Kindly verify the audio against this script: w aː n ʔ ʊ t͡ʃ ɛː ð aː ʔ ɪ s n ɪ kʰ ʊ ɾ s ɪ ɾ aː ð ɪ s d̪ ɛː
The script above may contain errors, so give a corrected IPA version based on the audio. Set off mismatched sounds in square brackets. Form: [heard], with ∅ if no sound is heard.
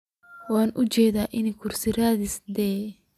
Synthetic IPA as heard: w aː n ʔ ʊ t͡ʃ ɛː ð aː ʔ ɪ [∅] n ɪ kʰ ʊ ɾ s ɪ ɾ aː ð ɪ s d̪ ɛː